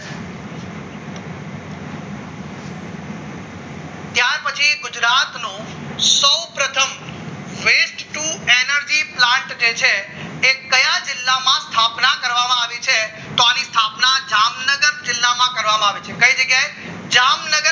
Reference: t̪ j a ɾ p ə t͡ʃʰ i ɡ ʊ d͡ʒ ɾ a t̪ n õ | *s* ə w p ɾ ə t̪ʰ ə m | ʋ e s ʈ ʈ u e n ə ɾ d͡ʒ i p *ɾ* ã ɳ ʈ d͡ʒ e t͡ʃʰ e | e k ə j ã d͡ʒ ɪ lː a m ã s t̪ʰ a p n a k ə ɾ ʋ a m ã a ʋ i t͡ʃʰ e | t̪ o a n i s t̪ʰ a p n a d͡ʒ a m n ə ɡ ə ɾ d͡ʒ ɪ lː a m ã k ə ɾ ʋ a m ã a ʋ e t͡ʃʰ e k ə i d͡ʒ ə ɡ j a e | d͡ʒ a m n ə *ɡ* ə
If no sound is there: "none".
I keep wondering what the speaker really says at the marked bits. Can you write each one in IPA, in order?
s, l, ɡ

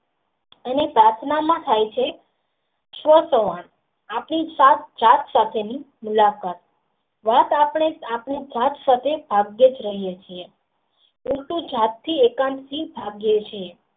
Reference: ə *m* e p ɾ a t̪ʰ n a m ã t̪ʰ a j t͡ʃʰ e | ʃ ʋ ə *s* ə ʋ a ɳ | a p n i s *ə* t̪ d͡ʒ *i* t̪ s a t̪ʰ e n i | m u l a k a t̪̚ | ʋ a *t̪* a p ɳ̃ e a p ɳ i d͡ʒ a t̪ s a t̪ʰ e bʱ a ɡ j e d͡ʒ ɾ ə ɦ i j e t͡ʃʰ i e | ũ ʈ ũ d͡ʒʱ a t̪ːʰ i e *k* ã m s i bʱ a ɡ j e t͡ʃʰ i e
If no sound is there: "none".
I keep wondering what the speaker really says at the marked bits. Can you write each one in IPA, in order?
n, s, a, a, t̪, k

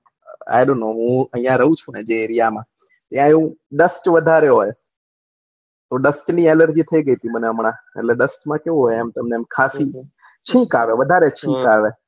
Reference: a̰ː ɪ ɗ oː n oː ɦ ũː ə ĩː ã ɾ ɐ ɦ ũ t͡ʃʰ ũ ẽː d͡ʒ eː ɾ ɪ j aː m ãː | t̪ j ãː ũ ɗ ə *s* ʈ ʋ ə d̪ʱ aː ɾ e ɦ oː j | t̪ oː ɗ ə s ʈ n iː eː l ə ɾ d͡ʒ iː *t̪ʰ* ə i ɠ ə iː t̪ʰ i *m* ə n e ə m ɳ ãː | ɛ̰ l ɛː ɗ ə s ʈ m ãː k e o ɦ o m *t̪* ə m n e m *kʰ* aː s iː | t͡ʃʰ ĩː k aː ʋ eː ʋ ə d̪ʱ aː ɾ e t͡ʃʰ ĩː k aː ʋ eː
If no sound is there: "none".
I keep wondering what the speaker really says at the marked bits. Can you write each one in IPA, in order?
s, t̪ʰ, m, t̪, kʰ

